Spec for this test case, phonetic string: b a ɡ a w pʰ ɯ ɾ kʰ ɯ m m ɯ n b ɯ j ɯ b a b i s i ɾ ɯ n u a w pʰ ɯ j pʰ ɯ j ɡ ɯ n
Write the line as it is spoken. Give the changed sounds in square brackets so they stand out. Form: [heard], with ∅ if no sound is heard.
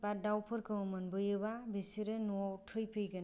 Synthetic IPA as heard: b a [d] a w pʰ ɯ ɾ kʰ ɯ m m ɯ n b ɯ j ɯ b a b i s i ɾ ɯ n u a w [tʰ] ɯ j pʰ ɯ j ɡ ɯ n